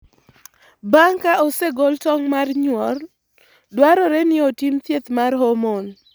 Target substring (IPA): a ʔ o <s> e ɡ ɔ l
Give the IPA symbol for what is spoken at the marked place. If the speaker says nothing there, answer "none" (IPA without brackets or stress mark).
s